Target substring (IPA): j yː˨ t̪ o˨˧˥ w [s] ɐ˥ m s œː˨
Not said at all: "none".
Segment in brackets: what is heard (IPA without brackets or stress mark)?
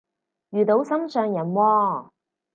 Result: s